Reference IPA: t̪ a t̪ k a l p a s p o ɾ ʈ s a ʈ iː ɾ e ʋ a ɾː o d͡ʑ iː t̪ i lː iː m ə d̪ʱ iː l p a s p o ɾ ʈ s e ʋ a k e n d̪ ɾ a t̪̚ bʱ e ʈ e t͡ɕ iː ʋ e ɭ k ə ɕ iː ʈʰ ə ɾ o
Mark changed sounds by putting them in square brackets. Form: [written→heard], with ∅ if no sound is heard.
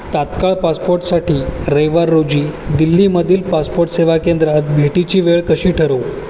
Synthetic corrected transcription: t̪ a t̪ k a [l→ɭ] p a s p o ɾ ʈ s a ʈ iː ɾ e ʋ a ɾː o d͡ʑ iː [t̪→d̪] i lː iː m ə d̪ʱ iː l p a s p o ɾ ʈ s e ʋ a k e n d̪ ɾ a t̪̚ bʱ e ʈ [e→i] t͡ɕ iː ʋ e ɭ k ə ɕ iː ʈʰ ə ɾ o